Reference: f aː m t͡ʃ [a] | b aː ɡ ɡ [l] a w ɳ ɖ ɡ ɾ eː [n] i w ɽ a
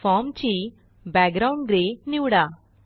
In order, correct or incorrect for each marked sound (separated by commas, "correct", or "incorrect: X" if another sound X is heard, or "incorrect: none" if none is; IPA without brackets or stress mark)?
incorrect: i, incorrect: ɾ, correct